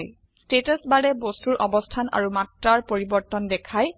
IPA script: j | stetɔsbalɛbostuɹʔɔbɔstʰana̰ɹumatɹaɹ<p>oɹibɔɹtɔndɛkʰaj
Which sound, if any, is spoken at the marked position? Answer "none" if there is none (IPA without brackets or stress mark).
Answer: p